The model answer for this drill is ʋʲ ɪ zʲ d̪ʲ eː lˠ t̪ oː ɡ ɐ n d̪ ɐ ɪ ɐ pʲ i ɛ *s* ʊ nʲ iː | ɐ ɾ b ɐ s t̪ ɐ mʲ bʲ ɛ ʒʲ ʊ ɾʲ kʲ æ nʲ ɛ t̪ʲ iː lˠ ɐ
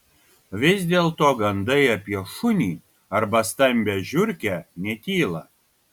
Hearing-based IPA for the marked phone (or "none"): ʃ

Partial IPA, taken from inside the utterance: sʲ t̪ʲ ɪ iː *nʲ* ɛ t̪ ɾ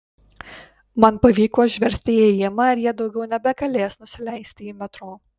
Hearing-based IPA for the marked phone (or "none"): mʲ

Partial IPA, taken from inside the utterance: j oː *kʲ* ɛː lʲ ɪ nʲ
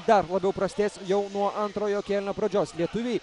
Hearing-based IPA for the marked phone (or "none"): kʲ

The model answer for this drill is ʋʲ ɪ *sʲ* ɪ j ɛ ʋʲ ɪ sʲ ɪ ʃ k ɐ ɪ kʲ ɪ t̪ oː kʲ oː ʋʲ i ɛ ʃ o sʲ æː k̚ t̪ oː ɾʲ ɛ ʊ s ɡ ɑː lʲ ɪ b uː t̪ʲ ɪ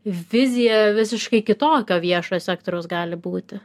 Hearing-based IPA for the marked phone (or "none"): zʲ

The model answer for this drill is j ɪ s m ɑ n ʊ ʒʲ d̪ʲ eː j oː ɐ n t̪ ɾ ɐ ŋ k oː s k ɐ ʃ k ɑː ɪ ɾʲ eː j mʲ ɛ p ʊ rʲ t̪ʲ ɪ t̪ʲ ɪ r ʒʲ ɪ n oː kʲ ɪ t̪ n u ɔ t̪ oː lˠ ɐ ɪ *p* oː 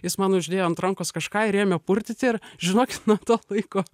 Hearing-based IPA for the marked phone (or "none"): k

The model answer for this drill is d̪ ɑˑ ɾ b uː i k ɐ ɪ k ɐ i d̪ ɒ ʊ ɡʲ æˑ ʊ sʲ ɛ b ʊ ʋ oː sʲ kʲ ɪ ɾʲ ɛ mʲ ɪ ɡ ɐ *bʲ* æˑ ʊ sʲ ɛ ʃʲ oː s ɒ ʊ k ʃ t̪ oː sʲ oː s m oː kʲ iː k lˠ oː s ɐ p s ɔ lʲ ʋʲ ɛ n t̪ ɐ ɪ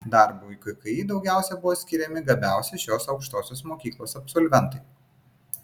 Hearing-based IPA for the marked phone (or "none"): bʲ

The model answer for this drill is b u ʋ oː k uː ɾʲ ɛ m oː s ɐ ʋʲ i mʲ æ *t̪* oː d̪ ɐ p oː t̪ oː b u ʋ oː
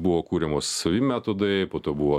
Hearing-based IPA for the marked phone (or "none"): t̪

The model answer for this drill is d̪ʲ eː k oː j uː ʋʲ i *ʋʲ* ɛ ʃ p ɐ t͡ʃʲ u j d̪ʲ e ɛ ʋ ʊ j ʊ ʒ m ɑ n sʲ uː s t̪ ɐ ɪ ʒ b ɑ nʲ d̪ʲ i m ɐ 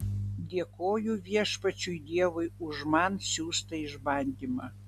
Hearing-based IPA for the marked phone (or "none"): none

